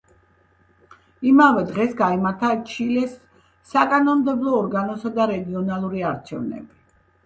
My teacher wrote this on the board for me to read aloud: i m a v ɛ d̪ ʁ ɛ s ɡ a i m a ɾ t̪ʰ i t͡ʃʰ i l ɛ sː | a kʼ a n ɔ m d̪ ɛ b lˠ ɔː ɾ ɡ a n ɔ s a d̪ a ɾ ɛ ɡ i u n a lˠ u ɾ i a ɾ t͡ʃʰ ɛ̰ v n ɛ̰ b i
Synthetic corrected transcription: i m a v ɛ d̪ ʁ ɛ s ɡ a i m a ɾ t̪ʰ a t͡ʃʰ i l ɛ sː | a kʼ a n ɔ m d̪ ɛ b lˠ ɔː ɾ ɡ a n ɔ s a d̪ a ɾ ɛ ɡ i ɔ n a lˠ u ɾ i a ɾ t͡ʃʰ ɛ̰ v n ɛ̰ b i